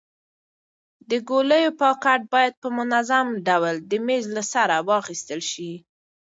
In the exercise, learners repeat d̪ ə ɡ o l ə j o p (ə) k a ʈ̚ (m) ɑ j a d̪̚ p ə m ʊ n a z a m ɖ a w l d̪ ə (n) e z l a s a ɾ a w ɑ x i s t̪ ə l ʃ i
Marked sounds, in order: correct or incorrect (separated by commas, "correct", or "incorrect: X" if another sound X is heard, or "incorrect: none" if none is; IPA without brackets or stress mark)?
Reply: incorrect: ɑ, incorrect: b, incorrect: m